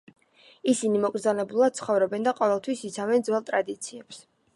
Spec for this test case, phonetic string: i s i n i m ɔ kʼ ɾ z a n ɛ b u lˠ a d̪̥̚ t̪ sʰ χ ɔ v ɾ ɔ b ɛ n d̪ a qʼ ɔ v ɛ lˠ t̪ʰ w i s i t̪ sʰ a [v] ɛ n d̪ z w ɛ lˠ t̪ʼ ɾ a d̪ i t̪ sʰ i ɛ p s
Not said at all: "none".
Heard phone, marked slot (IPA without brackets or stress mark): v